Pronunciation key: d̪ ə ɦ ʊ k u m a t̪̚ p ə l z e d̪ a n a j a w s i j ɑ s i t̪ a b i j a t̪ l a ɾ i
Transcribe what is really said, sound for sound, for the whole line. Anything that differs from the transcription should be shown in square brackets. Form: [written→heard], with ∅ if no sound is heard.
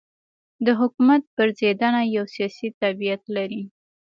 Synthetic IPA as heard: d̪ ə ɦ ʊ k u m a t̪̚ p ə [l→ɾ] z e d̪ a n a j a w s i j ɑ s i t̪ a b i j a t̪ l a ɾ i